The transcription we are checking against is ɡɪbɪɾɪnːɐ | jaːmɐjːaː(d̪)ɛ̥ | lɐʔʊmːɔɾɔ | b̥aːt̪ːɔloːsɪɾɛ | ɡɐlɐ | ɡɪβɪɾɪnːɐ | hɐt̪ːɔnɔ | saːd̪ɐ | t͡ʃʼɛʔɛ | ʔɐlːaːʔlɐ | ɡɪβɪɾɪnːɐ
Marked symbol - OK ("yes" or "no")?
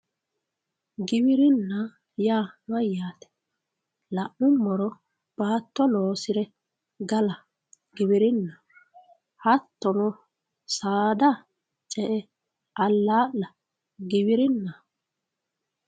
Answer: no